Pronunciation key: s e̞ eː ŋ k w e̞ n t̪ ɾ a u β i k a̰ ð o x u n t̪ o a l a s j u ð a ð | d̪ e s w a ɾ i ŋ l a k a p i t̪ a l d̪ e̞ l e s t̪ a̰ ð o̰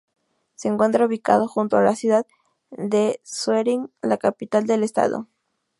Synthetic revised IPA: s e̞ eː ŋ k w e̞ n t̪ ɾ a u β i k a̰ ð o x u n t̪ o a l a s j u ð a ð | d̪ e s w e ɾ i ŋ l a k a p i t̪ a l d̪ e̞ l e s t̪ a̰ ð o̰